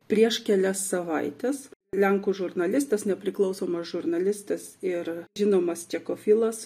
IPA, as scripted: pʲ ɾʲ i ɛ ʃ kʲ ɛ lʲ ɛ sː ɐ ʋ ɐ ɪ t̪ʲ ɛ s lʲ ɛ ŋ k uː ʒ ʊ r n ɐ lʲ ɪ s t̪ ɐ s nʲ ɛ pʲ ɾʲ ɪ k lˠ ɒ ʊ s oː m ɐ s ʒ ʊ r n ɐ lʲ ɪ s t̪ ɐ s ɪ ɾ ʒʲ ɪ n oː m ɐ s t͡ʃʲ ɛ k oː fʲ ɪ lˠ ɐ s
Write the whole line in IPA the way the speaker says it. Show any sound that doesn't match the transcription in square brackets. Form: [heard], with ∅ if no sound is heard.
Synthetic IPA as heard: pʲ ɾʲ i ɛ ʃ kʲ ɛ lʲ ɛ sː ɐ ʋ ɐ ɪ t̪ʲ ɛ s lʲ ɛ ŋ k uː ʒ ʊ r n ɐ lʲ ɪ s t̪ ɐ s nʲ ɛ pʲ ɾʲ ɪ k lˠ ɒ ʊ s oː m ɐ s ʒ ʊ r n ɐ lʲ ɪ s t̪ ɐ s ɪ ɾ ʒʲ ɪ n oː m ɐ s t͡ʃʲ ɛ k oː fʲ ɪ lˠ ɐ s